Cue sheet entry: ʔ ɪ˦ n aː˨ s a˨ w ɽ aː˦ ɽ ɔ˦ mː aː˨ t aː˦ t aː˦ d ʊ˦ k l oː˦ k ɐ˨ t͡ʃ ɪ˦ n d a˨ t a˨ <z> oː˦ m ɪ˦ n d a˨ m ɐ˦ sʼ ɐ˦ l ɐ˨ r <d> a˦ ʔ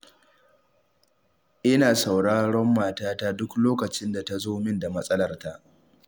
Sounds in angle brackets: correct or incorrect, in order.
correct, incorrect: t

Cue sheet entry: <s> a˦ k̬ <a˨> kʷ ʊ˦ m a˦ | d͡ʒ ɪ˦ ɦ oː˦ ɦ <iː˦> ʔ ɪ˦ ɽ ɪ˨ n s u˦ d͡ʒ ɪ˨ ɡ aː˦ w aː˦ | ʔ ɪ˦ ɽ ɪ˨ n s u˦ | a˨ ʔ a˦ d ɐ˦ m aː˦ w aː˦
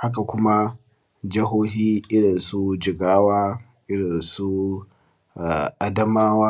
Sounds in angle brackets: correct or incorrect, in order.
incorrect: h, correct, correct

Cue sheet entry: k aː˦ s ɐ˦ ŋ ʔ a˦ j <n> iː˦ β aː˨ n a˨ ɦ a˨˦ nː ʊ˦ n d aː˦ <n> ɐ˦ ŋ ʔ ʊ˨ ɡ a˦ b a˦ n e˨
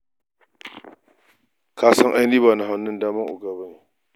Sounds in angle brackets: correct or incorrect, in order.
correct, incorrect: m

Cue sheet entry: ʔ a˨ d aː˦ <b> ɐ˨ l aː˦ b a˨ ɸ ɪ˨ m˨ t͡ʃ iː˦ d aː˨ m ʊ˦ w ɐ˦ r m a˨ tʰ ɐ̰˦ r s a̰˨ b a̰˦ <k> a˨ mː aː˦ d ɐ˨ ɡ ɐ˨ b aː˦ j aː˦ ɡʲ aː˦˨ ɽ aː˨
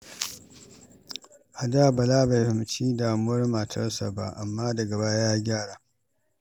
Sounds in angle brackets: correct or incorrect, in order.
correct, incorrect: ʔ

